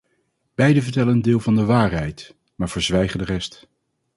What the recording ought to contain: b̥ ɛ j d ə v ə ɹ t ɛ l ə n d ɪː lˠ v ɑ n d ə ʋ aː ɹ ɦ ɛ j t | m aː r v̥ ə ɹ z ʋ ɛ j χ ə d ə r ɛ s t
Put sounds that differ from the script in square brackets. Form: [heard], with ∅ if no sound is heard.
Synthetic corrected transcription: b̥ ɛ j d ə v ə ɹ t ɛ l ə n d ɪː lˠ v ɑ n d ə ʋ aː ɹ ɦ ɛ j t | m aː [ɹ] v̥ ə ɹ z ʋ ɛ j χ ə d ə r ɛ s t